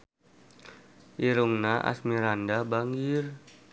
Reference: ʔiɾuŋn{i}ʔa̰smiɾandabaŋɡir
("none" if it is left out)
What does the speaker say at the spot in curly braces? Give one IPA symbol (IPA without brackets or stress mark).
a